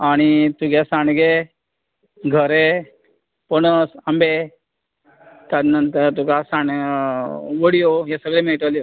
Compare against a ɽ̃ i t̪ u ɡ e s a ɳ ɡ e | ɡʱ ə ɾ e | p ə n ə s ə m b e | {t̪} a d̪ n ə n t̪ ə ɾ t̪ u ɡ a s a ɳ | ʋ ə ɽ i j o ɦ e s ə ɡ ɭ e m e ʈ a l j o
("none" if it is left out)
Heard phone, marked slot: t̪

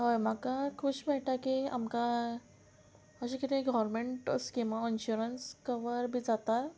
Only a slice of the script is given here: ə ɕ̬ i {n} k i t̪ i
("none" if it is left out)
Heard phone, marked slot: none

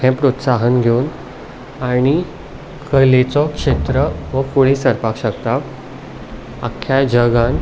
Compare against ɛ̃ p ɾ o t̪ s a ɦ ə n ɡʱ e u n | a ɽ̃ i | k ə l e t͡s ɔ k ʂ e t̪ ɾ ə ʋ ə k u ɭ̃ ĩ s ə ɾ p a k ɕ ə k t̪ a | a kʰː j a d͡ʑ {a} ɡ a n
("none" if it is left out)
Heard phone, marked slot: ə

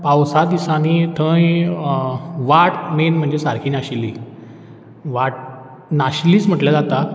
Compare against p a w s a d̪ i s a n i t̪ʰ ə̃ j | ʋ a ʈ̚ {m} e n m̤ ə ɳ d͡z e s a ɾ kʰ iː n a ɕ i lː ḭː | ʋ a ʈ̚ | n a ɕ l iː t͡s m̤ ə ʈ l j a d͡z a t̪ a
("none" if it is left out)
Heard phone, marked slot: m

